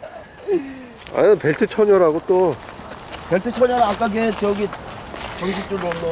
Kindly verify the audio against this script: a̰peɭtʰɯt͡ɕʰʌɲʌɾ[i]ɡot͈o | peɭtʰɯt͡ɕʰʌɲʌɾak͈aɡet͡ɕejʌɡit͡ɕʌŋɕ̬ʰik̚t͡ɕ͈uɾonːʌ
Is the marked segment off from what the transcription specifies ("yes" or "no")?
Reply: yes